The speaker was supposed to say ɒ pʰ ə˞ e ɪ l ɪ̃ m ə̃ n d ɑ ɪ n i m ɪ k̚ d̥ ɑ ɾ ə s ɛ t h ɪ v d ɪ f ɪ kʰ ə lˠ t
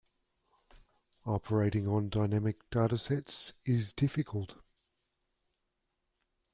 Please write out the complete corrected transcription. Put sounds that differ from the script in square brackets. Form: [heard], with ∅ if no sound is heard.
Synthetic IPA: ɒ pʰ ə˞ e ɪ [ɾ] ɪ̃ [ŋ] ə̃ n d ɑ ɪ n [æ] m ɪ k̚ d̥ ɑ ɾ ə s ɛ t [s] ɪ [z] d ɪ f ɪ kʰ ə lˠ t